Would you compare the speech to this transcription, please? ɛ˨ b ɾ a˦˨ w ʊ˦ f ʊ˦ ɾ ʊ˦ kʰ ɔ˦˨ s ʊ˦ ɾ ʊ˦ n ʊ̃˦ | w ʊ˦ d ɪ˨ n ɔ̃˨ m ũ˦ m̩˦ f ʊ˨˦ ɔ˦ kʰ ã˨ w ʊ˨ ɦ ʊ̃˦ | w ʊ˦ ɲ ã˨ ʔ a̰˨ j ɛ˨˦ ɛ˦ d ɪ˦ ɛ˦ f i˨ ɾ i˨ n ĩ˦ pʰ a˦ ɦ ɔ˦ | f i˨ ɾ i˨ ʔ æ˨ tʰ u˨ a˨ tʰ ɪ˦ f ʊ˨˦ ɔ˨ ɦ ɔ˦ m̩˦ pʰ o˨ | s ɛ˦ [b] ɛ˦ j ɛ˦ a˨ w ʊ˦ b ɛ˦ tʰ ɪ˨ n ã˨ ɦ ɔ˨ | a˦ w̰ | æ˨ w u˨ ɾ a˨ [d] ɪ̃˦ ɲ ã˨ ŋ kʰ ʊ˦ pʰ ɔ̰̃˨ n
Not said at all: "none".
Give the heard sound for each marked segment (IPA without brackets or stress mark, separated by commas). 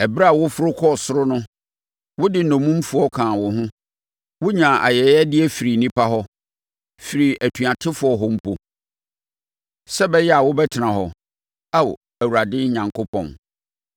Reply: b, d